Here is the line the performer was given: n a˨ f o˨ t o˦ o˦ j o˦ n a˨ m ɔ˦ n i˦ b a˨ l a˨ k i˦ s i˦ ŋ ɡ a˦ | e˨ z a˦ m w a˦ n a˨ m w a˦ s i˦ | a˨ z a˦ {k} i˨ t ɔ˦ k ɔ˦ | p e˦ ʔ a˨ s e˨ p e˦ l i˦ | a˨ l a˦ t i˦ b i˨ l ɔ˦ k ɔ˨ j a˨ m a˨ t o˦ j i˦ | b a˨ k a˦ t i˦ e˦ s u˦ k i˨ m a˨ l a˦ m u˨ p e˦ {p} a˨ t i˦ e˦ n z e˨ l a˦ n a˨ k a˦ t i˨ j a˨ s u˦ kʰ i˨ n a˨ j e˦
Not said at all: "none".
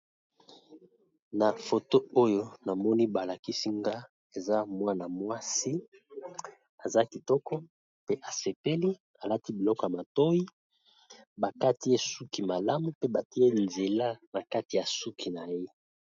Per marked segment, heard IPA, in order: k, b

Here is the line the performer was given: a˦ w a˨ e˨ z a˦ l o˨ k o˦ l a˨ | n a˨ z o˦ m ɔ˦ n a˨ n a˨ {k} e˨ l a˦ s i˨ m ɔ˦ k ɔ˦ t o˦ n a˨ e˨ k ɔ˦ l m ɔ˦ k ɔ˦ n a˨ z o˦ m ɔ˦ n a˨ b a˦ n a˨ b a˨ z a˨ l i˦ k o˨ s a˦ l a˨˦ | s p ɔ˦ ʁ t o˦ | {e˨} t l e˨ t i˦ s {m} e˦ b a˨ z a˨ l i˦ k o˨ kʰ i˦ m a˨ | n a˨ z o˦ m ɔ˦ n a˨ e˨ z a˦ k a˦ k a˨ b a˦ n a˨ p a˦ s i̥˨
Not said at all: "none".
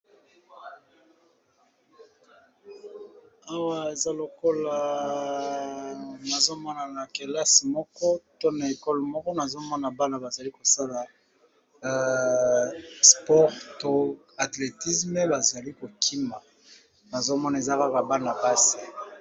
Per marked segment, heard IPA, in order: k, a˨, m

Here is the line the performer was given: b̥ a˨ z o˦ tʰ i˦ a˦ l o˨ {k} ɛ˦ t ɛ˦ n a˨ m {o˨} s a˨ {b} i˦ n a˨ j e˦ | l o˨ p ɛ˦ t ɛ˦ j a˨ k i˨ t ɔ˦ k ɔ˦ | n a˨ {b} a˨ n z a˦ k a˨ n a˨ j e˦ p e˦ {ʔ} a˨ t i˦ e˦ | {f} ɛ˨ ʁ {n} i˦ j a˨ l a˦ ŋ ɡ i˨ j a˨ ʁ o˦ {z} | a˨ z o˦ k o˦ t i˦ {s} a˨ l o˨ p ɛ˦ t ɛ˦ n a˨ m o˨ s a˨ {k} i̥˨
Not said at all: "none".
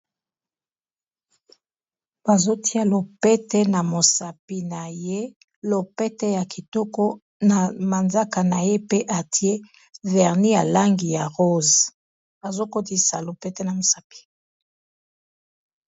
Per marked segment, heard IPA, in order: p, o˨, p, m, ʔ, v, n, z, s, p

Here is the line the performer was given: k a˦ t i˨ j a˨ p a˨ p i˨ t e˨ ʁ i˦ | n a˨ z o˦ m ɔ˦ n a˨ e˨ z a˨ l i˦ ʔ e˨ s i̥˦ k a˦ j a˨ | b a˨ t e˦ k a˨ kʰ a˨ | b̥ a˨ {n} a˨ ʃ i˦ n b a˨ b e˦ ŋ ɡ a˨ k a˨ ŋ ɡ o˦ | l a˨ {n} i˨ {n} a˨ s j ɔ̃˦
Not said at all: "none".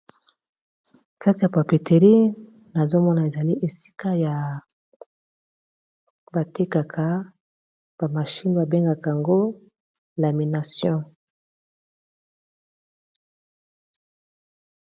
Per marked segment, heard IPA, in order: m, m, n

